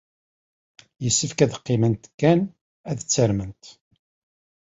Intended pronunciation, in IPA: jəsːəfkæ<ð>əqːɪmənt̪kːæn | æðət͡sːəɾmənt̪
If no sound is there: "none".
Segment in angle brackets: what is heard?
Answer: ð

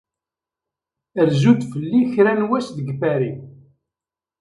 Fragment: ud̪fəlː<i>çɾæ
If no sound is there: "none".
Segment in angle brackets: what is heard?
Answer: i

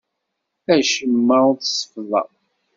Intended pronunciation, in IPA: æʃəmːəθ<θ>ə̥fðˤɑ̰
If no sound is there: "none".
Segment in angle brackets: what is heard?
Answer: s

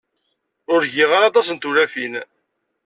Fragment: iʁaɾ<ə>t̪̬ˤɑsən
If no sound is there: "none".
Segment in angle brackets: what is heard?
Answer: ɑ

